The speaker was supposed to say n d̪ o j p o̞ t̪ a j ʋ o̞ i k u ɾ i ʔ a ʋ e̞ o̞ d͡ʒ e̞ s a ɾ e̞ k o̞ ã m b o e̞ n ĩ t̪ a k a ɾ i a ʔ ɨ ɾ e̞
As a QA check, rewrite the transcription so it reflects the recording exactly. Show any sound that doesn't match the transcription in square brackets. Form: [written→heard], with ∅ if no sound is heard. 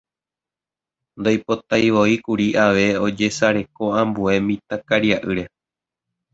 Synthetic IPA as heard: n d̪ o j p o̞ t̪ a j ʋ o̞ i k u ɾ i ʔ a ʋ e̞ o̞ d͡ʒ e̞ s a ɾ e̞ k o̞ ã m b [o→u] e̞ [n→m] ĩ t̪ a k a ɾ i a ʔ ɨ ɾ e̞